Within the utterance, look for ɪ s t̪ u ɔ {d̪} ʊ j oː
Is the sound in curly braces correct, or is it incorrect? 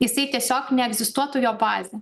incorrect: t̪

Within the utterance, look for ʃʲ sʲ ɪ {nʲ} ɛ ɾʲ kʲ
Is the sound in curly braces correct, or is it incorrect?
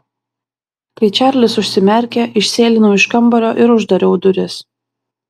incorrect: mʲ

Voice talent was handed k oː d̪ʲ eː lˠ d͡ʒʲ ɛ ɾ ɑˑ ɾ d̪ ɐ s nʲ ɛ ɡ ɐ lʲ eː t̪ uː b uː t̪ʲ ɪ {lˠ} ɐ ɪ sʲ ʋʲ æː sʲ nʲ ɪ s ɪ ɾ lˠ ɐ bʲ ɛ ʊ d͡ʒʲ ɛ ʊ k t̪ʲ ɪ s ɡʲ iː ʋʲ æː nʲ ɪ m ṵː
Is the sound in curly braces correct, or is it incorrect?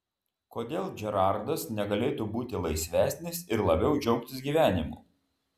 correct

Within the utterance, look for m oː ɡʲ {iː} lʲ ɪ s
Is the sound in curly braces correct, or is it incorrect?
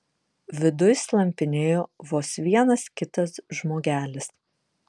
incorrect: æː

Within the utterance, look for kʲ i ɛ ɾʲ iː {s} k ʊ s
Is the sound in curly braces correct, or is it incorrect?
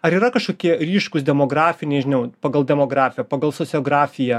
incorrect: ʃ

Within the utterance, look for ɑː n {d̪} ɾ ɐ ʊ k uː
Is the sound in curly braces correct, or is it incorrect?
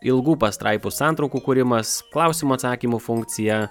incorrect: t̪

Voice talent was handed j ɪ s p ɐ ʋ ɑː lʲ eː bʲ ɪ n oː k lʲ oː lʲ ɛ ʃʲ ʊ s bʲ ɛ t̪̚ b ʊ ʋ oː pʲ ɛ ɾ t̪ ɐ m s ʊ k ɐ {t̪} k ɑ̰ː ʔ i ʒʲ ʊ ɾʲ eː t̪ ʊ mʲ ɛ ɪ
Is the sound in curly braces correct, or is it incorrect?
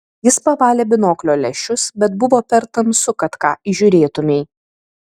correct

